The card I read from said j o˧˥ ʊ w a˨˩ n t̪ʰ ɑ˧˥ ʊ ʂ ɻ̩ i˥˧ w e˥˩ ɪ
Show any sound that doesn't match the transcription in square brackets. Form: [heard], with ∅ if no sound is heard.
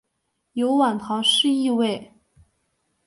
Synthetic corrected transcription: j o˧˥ ʊ w a˨˩ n t̪ʰ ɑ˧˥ ʊ ʂ ɻ̩ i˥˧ w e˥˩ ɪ